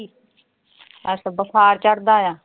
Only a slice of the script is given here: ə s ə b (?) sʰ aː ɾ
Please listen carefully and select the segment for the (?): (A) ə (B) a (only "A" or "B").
A